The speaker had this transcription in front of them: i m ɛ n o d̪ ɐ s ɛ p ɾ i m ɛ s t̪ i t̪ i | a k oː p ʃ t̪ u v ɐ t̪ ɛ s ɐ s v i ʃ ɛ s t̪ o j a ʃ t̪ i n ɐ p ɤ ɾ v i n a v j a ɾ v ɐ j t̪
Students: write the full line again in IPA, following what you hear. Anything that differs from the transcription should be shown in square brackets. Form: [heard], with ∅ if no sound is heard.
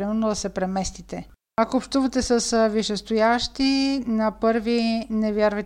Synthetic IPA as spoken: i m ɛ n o d̪ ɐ s ɛ p ɾ [ɛ] m ɛ s t̪ i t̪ [ɛ] | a k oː p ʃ t̪ u v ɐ t̪ ɛ s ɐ s v i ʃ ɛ s t̪ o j a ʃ t̪ i n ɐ p ɤ ɾ v i n [ɛ] v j a ɾ v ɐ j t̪